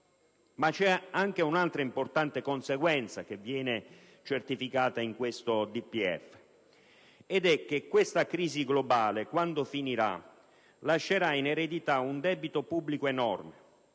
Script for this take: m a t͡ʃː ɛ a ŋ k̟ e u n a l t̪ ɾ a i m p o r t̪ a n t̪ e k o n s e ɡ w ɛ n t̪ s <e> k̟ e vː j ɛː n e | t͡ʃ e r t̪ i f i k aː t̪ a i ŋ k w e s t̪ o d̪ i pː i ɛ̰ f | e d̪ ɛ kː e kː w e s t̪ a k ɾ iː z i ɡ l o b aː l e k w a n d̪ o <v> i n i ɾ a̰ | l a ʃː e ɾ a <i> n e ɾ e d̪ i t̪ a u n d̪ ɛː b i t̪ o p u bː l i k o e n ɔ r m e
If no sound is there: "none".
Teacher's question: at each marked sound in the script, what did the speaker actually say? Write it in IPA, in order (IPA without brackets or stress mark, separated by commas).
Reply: a, f, i